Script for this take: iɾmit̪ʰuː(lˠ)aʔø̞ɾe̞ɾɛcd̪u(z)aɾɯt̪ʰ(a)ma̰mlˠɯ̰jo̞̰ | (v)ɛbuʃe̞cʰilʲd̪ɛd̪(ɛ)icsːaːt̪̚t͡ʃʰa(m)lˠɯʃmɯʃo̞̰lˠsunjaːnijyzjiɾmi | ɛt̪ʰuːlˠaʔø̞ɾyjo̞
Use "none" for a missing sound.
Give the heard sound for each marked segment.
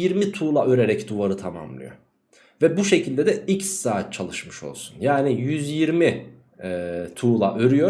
lˠ, v, a, v, ɛ, none

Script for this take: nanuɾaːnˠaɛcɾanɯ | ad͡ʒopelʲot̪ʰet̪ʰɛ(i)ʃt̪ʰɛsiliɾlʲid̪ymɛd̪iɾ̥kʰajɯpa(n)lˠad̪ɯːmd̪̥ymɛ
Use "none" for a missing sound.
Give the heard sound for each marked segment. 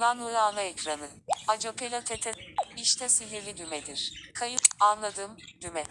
i, n

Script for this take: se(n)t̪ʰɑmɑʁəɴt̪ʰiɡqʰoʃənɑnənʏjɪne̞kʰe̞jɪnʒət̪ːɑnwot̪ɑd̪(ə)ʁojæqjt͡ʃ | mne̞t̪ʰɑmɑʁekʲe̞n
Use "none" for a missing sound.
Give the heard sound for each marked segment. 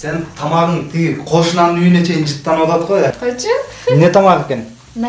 n, ə

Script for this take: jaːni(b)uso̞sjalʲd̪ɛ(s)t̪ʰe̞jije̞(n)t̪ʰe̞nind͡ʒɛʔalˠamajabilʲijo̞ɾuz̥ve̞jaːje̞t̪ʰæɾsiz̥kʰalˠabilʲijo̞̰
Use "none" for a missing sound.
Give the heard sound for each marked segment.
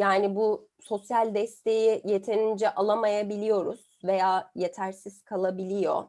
b, s, none

